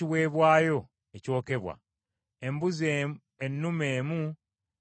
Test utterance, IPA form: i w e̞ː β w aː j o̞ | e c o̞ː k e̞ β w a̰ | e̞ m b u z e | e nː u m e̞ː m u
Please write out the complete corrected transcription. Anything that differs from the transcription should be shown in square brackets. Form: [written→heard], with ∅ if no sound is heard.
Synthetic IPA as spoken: i w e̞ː β w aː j o̞ | e c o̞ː k e̞ β w a̰ | e̞ m b u z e | e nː u m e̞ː m u